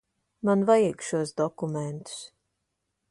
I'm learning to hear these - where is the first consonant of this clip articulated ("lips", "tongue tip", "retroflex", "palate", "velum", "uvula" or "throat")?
lips